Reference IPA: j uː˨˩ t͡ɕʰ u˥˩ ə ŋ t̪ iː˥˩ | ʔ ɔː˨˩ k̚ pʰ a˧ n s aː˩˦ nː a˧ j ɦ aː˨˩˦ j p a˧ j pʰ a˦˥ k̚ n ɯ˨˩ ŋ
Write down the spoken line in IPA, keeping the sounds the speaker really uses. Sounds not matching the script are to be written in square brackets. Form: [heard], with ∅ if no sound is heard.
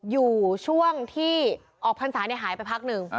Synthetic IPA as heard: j uː˨˩ t͡ɕʰ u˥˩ ə ŋ [t̪ʰ] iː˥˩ | ʔ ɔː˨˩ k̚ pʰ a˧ n s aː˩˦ [n] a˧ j ɦ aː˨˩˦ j p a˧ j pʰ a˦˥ k̚ n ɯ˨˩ ŋ